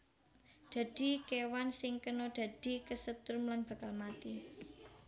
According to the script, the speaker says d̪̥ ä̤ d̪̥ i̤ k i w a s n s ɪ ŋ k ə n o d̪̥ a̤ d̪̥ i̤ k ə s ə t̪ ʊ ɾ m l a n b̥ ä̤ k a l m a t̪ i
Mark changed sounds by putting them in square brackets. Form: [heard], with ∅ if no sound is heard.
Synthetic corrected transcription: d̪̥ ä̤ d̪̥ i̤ k [e] w a [∅] n s ɪ ŋ k ə n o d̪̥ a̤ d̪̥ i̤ k ə s ə t̪ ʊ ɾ m l a n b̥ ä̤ k a l m a t̪ i